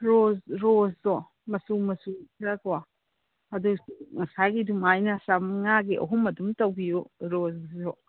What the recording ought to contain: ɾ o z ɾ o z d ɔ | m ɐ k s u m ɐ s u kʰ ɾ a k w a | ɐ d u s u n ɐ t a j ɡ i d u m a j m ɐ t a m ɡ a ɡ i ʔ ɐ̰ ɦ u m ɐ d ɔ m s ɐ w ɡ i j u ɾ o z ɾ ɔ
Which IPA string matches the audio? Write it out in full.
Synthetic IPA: ɾ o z ɾ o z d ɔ | m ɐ s u m ɐ s u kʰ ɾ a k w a | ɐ d u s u ŋ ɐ s a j ɡ i d u m a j n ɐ s a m ŋ a ɡ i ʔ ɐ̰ ɦ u m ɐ d u m t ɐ w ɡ i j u ɾ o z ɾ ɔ